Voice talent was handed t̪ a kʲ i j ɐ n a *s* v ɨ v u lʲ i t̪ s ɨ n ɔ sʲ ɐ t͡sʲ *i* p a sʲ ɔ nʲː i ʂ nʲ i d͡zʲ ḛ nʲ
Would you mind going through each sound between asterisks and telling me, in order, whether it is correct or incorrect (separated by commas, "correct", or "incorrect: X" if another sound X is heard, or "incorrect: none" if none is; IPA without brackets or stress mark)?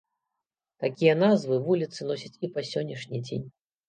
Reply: incorrect: z, correct